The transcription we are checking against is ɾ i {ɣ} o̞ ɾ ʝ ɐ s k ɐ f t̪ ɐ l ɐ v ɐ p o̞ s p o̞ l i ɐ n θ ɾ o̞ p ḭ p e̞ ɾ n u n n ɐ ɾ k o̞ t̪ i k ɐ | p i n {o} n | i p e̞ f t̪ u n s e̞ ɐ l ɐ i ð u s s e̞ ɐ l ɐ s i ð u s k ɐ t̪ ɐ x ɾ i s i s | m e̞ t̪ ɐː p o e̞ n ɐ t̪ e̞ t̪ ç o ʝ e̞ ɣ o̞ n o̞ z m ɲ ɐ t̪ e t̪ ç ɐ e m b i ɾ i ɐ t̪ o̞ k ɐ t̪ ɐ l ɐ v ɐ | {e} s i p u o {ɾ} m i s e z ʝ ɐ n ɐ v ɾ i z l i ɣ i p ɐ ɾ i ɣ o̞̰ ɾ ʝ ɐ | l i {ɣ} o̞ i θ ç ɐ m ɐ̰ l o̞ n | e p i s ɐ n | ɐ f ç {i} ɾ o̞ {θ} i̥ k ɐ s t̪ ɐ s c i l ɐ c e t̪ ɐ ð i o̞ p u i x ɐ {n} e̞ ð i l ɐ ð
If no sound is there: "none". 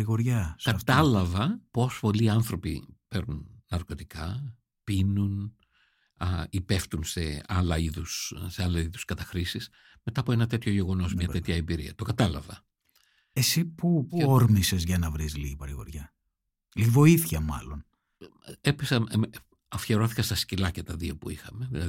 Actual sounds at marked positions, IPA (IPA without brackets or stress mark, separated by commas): ɣ, u, e, ɾ, v, e, θ, m